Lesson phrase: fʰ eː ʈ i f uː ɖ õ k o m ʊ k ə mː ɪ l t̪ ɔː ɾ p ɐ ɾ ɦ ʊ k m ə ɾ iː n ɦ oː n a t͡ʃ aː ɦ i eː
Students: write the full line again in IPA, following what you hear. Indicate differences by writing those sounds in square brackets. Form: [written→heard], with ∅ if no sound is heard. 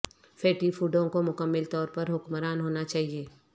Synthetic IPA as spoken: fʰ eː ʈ i f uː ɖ õ k o m ʊ k ə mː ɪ l t̪ ɔː ɾ p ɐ ɾ ɦ ʊ k m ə ɾ [iː→aː] n ɦ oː n a t͡ʃ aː ɦ i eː